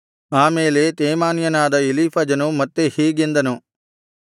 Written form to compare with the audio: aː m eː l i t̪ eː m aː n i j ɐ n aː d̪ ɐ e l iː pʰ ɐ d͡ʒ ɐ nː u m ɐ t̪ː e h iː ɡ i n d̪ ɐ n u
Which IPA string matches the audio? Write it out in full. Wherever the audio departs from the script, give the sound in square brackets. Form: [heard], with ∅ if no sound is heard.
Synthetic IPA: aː m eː l [e] t̪ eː m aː n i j ɐ n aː d̪ ɐ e l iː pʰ ɐ d͡ʒ ɐ [n] u m ɐ t̪ː e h iː ɡ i n d̪ ɐ n u